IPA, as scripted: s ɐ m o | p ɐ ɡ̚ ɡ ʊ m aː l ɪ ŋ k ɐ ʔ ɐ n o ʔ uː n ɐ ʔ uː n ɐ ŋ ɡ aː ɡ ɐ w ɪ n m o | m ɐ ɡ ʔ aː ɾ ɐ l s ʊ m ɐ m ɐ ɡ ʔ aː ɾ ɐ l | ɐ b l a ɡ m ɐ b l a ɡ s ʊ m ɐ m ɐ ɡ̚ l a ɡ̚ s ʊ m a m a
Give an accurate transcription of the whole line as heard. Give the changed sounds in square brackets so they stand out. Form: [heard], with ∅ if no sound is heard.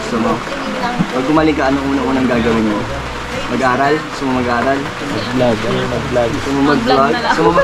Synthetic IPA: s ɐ m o | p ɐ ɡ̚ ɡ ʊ m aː l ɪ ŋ k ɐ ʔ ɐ n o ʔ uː n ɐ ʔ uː n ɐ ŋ ɡ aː ɡ ɐ w ɪ n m o | m ɐ ɡ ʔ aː ɾ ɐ l s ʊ m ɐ m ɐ ɡ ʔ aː ɾ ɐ l | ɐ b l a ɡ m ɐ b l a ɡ s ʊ m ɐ m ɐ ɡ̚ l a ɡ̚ s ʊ m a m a

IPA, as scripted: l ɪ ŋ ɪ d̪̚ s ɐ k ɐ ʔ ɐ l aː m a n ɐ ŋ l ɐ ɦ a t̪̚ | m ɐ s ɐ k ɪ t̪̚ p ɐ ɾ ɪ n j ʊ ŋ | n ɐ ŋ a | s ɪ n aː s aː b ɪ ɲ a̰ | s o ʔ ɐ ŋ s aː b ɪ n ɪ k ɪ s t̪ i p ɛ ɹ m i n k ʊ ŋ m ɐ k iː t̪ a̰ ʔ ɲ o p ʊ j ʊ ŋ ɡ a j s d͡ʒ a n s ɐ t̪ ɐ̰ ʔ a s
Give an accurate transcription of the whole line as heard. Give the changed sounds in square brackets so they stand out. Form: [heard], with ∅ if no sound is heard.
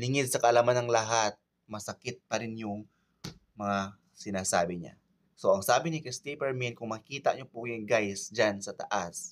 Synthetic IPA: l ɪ ŋ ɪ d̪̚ s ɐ k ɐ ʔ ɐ l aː m a n ɐ ŋ l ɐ ɦ a t̪̚ | m ɐ s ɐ k ɪ t̪̚ p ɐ ɾ ɪ n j ʊ ŋ | [m] ɐ ŋ a | s ɪ n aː s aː b ɪ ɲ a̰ | s o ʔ ɐ ŋ s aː b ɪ n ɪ k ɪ s t̪ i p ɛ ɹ m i n k ʊ ŋ m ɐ k iː t̪ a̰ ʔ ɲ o p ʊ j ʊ ŋ ɡ a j s d͡ʒ a n s ɐ t̪ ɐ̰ ʔ a s

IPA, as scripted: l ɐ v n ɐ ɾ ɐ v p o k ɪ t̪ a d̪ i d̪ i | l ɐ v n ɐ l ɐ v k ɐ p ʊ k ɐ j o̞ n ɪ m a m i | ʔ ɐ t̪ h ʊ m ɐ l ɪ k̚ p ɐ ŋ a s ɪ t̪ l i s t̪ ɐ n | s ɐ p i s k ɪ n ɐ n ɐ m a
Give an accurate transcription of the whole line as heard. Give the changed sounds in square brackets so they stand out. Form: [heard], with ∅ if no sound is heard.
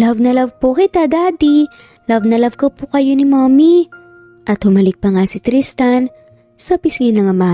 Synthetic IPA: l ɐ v n ɐ [l] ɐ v p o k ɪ t̪ a d̪ [a] d̪ i | l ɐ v n ɐ l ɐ v k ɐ p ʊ k ɐ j o̞ n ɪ m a m i | ʔ ɐ t̪ h ʊ m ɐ l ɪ k̚ p ɐ ŋ a s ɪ t̪ [ɾ] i s t̪ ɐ n | s ɐ p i s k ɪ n ɐ [ŋ] ɐ m a

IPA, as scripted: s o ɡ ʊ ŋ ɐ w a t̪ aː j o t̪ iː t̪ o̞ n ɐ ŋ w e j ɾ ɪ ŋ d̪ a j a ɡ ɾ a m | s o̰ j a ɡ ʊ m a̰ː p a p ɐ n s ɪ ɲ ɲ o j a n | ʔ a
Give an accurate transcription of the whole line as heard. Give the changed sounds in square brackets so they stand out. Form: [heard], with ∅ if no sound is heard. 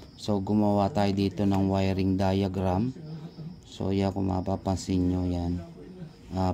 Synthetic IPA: s o ɡ ʊ [m] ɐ w a t̪ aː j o [d̪] iː t̪ o̞ n ɐ ŋ w [a] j ɾ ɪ ŋ d̪ a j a ɡ ɾ a m | s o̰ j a [k] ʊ m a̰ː p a p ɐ n s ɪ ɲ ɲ o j a n | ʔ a

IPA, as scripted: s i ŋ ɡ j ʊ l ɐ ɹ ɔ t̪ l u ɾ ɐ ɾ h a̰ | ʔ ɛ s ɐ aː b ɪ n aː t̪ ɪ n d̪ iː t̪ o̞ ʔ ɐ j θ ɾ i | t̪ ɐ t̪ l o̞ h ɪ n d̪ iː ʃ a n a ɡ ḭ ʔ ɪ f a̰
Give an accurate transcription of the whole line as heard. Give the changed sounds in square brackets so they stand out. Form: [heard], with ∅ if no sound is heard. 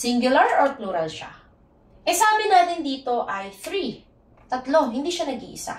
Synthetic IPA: s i ŋ ɡ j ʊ l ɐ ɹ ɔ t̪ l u ɾ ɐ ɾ [ʃ] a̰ | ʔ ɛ s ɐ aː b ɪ n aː t̪ ɪ n d̪ iː t̪ o̞ ʔ ɐ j θ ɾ i | t̪ ɐ t̪ l o̞ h ɪ n d̪ iː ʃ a n [ɐ] ɡ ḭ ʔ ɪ [s] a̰

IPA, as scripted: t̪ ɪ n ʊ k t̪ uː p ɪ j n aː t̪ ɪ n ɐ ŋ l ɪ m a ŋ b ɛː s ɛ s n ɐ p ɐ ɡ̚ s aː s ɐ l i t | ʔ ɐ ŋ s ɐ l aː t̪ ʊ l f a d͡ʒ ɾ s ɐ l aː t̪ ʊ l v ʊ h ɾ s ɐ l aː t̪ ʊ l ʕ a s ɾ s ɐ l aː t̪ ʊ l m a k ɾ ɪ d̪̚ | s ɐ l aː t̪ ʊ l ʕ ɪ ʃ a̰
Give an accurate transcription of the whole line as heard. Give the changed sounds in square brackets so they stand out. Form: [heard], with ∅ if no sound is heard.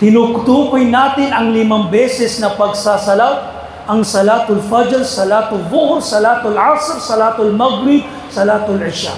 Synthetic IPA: t̪ ɪ n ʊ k t̪ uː p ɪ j n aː t̪ ɪ n ɐ ŋ l ɪ m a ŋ b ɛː s ɛ s n ɐ p ɐ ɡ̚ s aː s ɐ l [a] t | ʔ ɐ ŋ s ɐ l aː t̪ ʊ l f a d͡ʒ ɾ s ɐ l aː t̪ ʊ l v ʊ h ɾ s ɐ l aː t̪ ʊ l ʕ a s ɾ s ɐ l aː t̪ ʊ l m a [ɡ] ɾ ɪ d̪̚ | s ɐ l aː t̪ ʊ l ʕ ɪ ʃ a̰

